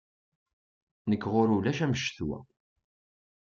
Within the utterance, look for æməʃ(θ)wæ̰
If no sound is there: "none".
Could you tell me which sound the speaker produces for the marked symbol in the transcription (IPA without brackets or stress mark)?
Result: θ